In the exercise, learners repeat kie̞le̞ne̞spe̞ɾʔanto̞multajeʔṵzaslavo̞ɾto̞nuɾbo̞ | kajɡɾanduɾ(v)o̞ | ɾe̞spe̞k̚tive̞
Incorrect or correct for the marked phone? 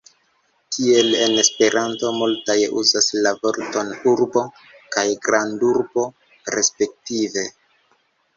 incorrect: b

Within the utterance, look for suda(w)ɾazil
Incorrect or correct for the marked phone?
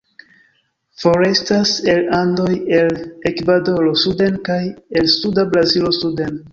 incorrect: b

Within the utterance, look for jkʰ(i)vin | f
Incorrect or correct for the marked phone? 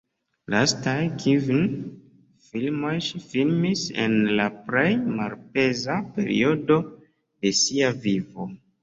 correct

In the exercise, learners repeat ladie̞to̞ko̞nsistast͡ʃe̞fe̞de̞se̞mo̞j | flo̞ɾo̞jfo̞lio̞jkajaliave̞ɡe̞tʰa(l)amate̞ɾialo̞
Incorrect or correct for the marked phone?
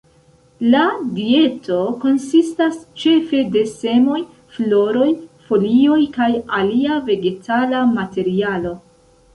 correct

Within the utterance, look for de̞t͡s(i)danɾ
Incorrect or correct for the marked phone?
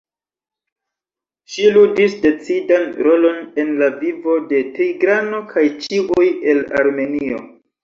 correct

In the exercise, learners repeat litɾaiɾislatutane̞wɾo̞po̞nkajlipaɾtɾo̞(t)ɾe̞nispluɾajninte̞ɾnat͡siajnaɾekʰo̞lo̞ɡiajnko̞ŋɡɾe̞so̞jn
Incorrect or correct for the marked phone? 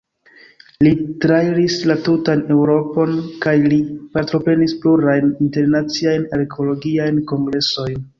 incorrect: p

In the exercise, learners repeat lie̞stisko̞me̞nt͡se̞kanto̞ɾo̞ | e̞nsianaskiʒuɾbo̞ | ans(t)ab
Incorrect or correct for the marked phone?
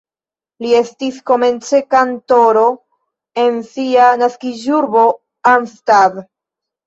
correct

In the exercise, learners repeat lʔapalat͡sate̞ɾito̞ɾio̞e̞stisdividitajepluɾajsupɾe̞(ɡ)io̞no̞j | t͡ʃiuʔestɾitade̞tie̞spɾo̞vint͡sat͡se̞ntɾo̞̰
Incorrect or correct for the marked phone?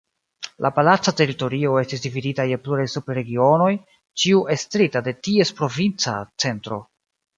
correct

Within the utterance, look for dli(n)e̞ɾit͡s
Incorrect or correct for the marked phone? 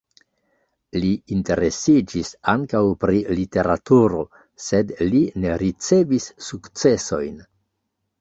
correct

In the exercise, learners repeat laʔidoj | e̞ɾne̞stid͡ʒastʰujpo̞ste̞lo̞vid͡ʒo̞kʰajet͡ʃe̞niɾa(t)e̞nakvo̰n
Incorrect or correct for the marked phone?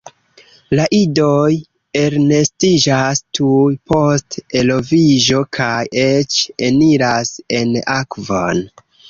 incorrect: s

